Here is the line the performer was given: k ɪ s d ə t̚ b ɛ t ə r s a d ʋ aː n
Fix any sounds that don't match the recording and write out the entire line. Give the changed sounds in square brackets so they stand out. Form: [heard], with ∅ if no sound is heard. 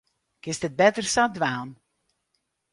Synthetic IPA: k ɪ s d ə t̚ b ɛ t ə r s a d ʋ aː n